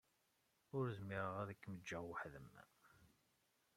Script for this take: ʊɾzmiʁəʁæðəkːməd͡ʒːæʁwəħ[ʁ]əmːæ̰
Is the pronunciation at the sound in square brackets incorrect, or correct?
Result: incorrect